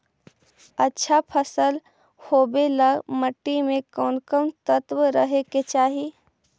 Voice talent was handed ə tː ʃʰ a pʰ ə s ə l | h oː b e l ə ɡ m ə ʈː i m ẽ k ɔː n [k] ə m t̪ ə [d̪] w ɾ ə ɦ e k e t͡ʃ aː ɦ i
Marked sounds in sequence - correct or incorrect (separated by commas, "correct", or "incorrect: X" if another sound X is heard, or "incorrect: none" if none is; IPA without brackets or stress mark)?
correct, incorrect: t̪